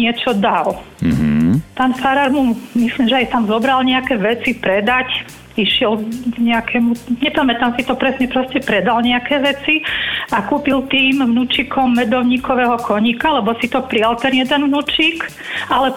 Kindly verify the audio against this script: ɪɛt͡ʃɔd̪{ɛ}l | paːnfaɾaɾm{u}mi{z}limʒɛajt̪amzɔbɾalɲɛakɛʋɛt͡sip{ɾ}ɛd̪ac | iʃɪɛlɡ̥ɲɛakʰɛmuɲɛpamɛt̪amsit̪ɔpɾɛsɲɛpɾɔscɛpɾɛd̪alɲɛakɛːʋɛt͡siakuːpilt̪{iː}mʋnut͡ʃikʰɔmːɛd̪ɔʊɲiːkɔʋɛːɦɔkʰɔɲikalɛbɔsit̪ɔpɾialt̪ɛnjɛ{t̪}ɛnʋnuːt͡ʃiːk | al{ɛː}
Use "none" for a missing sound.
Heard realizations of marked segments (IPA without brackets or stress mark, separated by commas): a, u, s, ɾ, iː, d̪, ɛ